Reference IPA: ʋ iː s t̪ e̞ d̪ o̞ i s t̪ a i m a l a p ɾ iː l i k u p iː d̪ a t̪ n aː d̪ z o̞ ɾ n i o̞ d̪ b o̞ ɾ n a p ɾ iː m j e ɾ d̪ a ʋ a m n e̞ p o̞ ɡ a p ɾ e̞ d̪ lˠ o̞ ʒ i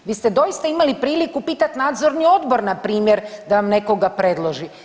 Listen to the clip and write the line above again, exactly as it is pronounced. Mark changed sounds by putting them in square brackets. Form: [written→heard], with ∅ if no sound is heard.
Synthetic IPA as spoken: ʋ iː s t̪ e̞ d̪ o̞ i s t̪ a i m a l [a→i] p ɾ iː l i k u p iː [d̪→t̪] a t̪ n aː d̪ z o̞ ɾ n i o̞ d̪ b o̞ ɾ n a p ɾ iː m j e ɾ d̪ a ʋ a m n e̞ [p→k] o̞ ɡ a p ɾ e̞ d̪ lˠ o̞ ʒ i

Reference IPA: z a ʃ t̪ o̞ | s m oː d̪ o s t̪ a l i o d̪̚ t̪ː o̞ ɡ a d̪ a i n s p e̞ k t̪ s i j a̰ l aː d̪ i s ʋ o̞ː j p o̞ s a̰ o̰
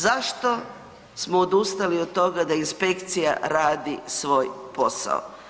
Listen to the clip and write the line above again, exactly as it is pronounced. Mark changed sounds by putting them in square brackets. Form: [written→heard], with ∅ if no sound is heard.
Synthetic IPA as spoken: z a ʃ t̪ o̞ | s m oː d̪ [o→u] s t̪ a l i o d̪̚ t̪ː o̞ ɡ a d̪ a i n s p e̞ k t̪ s i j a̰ [l→ɾ] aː d̪ i s ʋ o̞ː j p o̞ s a̰ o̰

